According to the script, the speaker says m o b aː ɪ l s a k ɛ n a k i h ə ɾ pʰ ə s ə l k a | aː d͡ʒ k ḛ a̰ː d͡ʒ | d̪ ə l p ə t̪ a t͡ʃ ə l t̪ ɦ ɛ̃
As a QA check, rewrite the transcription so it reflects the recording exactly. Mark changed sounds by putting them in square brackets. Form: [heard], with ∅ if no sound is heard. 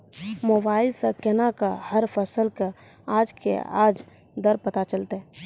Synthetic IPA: m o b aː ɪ l s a k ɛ n a k [a] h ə ɾ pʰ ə s ə l k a | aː d͡ʒ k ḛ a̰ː d͡ʒ | d̪ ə [ɾ] p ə t̪ a t͡ʃ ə l t̪ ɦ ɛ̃